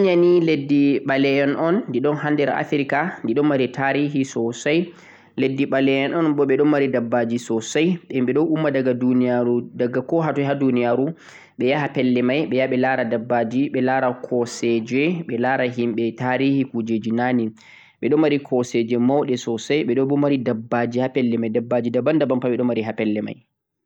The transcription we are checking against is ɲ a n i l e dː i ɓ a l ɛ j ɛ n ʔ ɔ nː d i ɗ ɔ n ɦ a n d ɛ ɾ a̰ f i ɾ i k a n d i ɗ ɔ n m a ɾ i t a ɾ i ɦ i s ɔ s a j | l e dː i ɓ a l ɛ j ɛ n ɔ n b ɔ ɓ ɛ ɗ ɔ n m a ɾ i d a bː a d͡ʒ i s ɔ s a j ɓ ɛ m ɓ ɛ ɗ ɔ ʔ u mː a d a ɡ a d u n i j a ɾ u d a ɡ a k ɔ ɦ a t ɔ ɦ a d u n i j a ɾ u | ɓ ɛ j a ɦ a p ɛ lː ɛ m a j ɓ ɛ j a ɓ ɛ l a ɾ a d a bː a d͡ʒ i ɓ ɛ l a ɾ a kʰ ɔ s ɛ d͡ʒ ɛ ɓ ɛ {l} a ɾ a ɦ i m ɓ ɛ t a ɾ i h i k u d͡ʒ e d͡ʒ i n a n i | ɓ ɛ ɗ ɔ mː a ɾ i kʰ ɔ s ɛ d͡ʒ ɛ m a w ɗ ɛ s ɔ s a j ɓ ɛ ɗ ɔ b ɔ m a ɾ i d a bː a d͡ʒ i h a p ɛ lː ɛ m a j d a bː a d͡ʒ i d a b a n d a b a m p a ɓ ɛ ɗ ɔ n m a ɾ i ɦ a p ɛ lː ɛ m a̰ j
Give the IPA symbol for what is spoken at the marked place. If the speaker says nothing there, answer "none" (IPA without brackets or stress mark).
l